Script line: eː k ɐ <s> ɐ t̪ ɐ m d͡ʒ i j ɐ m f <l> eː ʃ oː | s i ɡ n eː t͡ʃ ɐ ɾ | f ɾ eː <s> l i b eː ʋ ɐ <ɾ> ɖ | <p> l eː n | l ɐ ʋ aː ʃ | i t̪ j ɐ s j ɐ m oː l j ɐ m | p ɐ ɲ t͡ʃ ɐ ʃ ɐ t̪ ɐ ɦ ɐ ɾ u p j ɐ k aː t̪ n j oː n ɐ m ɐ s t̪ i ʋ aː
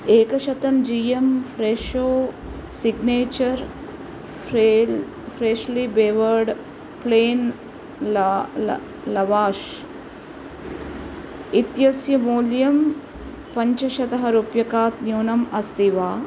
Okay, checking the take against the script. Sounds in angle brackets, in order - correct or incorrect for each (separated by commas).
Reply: incorrect, incorrect, incorrect, correct, correct